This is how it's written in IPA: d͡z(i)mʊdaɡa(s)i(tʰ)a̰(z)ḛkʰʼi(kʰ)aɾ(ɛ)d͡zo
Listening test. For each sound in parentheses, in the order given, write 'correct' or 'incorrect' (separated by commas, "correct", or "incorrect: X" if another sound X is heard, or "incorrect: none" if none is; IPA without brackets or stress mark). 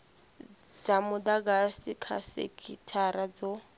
incorrect: a, correct, incorrect: kʰ, incorrect: s, incorrect: tʰ, incorrect: a